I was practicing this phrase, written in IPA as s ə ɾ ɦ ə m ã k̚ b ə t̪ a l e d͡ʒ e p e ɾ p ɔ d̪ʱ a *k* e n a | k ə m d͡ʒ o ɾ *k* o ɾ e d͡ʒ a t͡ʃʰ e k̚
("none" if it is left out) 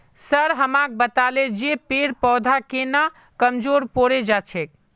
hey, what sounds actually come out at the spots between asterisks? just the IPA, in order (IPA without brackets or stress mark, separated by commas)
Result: k, p